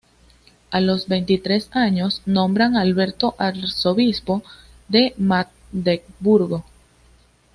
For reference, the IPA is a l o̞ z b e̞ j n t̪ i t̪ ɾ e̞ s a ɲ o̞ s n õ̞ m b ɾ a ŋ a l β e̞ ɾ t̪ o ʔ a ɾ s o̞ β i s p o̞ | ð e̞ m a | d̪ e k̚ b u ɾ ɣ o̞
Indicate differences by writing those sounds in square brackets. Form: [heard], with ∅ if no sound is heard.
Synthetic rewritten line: a l o̞ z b e̞ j n t̪ i t̪ ɾ e̞ s a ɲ o̞ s n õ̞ m b ɾ a ŋ a l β e̞ ɾ t̪ o ʔ a ɾ s o̞ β i s p o̞ | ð e̞ m a | d̪ e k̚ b u ɾ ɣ o̞

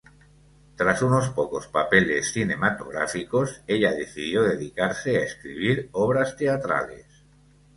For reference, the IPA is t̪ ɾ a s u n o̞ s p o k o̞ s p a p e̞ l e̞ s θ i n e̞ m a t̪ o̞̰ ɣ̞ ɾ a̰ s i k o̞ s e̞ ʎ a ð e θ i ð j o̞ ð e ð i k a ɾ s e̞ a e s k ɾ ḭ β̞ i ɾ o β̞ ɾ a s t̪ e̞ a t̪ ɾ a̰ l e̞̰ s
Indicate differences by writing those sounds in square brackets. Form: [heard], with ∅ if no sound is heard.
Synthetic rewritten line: t̪ ɾ a s u n o̞ s p o k o̞ s p a p e̞ l e̞ s θ i n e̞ m a t̪ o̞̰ ɣ̞ ɾ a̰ [f] i k o̞ s e̞ ʎ a ð e θ i ð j o̞ ð e ð i k a ɾ s e̞ a e s k ɾ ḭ β̞ i ɾ o β̞ ɾ a s t̪ e̞ a t̪ ɾ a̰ l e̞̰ s

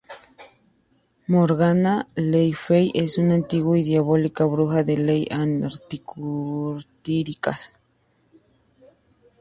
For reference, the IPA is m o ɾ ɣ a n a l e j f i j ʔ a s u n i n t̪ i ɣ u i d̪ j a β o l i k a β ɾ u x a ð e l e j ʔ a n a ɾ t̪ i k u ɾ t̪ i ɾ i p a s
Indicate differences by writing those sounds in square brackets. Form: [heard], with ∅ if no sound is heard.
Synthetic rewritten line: m o ɾ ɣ a n a l e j f [e] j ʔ [e] s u n [a] n t̪ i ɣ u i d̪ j a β o l i k a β ɾ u x a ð e l e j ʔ a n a ɾ t̪ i k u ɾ t̪ i ɾ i [k] a s

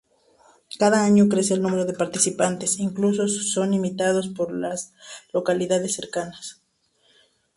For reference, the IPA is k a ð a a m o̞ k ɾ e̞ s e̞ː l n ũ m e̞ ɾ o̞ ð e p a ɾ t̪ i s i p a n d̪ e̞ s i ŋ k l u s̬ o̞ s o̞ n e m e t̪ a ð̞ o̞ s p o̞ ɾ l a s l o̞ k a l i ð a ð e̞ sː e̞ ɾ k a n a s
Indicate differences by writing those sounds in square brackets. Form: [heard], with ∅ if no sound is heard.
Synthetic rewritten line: k a ð a a [ɲ] o̞ k ɾ e̞ s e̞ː l n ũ m e̞ ɾ o̞ ð e p a ɾ t̪ i s i p a n [t̪] e̞ s i ŋ k l u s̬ o̞ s o̞ n [i] m [i] t̪ a ð̞ o̞ s p o̞ ɾ l a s l o̞ k a l i ð a ð e̞ sː e̞ ɾ k a n a s

